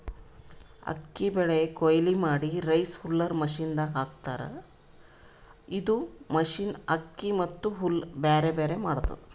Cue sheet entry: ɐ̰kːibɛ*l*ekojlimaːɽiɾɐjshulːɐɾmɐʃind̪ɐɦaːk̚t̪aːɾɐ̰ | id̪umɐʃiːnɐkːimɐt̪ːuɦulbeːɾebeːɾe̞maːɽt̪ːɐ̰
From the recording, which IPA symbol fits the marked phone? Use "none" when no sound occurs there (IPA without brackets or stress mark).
ɭ